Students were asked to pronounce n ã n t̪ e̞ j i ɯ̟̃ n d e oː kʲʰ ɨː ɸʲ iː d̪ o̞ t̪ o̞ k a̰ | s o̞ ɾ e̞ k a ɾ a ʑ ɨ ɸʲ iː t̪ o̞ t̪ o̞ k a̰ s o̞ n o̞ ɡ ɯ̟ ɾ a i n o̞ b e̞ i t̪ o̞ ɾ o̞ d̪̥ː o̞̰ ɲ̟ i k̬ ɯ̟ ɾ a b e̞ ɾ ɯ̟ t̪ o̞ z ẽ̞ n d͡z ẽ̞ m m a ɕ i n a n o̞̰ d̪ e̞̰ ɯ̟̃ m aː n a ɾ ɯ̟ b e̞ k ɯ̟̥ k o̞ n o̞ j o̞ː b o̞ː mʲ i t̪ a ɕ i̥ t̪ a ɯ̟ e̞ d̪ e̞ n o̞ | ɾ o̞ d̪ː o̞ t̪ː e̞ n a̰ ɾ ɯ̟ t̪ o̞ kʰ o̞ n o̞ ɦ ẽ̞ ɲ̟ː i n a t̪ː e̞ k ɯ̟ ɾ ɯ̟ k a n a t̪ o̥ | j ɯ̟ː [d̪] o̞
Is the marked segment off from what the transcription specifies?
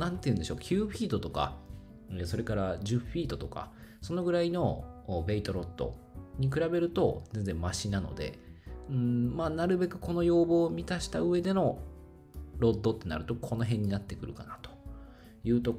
yes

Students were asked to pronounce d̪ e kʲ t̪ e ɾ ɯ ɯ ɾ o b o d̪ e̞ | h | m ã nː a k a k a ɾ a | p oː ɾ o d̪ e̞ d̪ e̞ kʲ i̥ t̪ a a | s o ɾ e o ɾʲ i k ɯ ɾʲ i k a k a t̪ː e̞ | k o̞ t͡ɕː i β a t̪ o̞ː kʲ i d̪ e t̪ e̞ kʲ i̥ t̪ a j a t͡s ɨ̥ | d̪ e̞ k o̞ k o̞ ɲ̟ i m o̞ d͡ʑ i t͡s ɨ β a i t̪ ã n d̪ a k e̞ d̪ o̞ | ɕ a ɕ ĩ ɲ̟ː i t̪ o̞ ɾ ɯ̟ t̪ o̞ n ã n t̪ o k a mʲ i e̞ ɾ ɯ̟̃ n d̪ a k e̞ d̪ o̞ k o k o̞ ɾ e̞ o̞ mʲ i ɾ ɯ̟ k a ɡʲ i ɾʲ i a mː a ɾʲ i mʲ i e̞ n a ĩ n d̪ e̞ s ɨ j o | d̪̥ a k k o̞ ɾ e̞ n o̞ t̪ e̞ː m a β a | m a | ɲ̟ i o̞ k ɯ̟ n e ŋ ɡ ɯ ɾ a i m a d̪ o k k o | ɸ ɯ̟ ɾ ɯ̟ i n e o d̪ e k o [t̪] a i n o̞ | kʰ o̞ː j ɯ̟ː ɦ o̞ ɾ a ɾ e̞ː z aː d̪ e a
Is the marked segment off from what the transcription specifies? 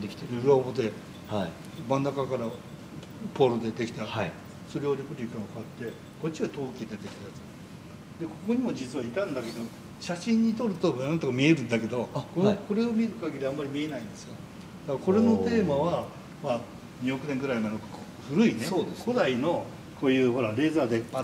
yes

